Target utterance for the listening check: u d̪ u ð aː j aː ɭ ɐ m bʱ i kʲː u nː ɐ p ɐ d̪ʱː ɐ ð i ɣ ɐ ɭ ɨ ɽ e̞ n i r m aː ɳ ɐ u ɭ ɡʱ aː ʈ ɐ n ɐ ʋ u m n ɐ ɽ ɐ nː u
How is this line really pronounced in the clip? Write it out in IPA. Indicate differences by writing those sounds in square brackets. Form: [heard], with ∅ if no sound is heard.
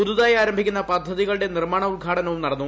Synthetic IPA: u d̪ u ð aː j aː [ɾ] ɐ m bʱ i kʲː u nː ɐ p ɐ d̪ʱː ɐ ð i ɣ ɐ ɭ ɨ ɽ e̞ n i r m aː ɳ ɐ u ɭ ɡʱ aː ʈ ɐ n ɐ ʋ u m n ɐ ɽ ɐ nː u